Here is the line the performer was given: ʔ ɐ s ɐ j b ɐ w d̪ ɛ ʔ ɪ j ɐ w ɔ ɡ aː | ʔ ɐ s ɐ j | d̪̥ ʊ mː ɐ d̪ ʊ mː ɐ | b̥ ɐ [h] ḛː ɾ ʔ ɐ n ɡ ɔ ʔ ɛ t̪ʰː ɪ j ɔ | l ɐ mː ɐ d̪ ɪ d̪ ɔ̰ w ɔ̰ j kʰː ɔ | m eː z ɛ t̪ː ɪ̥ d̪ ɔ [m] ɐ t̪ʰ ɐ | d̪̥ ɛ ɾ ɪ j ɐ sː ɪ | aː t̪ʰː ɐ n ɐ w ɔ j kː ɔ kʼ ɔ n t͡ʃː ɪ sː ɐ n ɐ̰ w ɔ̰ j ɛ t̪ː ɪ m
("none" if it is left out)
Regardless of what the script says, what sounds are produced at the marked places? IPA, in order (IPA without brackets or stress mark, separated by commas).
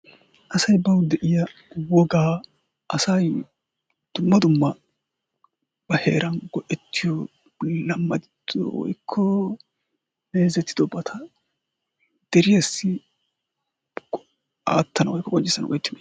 h, b